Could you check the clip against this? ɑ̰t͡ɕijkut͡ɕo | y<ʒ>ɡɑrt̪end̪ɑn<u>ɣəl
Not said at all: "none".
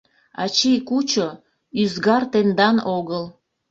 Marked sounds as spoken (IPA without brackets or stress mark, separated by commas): z, o